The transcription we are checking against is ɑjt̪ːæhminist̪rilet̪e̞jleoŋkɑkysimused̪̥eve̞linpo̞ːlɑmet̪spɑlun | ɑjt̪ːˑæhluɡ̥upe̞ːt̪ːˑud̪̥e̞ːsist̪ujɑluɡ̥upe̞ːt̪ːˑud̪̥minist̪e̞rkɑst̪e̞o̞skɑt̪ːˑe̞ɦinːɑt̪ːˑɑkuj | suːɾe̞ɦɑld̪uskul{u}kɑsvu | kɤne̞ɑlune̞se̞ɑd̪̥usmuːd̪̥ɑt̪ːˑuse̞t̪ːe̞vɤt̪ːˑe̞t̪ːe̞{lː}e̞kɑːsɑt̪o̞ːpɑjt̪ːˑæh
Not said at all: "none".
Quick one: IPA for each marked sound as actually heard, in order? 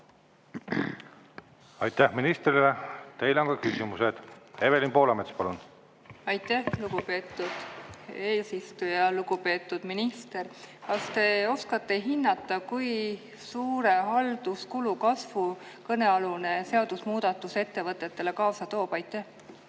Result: u, l

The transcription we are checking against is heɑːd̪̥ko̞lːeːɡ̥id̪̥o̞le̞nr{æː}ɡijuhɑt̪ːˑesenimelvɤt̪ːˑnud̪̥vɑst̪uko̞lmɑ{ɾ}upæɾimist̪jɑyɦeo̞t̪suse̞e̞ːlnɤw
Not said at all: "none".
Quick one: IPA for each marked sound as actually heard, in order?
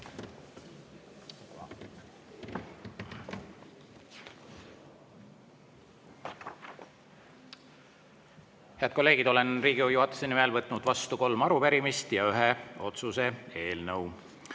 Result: iː, ɾ

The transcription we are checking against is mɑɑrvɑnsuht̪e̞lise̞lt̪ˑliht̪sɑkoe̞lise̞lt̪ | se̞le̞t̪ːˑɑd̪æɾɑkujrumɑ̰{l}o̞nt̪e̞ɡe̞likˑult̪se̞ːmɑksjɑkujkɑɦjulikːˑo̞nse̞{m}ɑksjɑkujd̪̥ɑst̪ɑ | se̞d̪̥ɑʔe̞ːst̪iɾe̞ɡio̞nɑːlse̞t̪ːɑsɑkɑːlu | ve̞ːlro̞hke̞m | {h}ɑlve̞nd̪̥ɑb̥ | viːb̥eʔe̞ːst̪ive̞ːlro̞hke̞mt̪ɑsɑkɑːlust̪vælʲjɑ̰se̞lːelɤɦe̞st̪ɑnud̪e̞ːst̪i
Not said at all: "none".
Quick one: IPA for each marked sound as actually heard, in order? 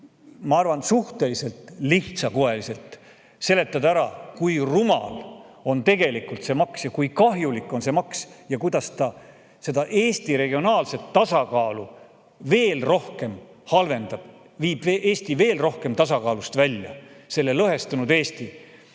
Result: l, m, h

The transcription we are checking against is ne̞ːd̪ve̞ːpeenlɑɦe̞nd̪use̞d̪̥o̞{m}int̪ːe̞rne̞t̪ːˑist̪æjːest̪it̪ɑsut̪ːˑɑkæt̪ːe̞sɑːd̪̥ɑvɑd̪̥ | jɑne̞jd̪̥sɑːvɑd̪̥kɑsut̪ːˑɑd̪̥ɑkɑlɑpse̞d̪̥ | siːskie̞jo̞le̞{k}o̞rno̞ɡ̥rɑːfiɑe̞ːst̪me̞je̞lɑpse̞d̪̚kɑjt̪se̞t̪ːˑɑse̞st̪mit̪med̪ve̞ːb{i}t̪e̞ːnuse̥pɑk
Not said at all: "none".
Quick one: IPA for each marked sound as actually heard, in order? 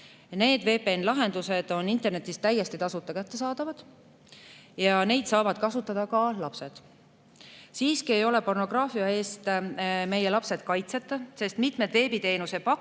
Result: n, p, i

